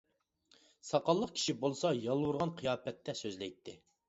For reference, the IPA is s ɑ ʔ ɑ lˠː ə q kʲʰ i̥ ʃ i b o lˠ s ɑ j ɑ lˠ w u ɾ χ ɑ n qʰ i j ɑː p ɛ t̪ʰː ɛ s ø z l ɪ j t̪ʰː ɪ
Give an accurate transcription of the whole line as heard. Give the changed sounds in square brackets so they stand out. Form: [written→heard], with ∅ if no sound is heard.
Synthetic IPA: s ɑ [ʔ→q] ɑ lˠː ə q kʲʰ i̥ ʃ i b o lˠ s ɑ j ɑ lˠ w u ɾ [χ→ʁ] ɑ n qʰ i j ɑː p ɛ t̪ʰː ɛ s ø z l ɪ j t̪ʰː ɪ